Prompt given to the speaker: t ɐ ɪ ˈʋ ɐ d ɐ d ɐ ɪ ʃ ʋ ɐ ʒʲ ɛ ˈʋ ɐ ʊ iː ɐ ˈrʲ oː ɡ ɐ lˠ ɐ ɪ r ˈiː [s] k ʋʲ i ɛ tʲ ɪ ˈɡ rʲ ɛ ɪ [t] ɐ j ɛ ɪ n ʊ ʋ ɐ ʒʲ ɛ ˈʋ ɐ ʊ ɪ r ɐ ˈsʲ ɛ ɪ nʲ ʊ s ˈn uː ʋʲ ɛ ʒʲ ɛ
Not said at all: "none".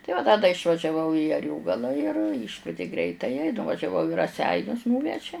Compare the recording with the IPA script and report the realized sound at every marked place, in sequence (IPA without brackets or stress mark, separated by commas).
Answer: ʃ, t